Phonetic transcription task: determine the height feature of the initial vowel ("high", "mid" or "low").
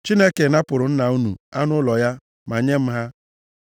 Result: high